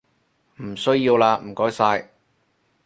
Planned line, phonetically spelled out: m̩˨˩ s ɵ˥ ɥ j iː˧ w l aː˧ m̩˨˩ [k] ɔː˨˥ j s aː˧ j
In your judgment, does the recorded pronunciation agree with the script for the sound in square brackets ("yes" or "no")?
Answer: yes